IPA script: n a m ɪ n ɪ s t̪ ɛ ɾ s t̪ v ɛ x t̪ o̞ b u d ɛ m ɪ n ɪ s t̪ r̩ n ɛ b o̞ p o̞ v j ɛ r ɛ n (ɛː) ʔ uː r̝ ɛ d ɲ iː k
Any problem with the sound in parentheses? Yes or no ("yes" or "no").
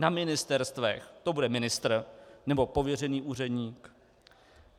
yes